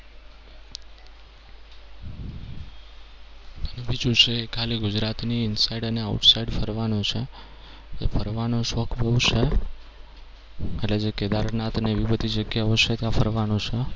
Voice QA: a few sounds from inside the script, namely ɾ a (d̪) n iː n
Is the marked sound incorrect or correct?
incorrect